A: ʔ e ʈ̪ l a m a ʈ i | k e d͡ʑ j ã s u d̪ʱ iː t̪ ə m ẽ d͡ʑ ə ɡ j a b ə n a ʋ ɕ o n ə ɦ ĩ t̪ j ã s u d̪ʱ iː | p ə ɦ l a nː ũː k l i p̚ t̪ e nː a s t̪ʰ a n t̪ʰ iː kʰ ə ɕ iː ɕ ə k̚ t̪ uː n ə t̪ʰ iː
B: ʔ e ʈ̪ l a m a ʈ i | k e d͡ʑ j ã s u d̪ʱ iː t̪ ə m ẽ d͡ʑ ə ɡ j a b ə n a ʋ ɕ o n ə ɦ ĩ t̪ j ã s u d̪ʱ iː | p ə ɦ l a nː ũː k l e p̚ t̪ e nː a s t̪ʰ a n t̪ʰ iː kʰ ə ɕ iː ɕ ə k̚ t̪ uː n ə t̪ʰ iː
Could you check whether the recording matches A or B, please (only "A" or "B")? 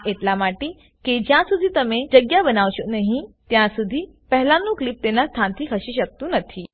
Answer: A